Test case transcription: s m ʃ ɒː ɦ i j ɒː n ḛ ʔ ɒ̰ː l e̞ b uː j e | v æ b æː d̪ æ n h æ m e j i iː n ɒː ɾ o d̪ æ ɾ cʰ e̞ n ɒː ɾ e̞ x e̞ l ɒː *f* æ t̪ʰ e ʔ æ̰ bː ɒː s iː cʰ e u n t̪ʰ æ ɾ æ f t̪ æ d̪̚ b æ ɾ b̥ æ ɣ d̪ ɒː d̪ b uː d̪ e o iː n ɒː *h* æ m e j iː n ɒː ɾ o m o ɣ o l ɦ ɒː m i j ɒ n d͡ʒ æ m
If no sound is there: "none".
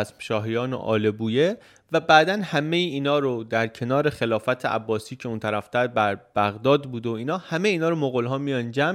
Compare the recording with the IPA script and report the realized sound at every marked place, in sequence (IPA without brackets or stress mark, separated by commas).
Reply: f, h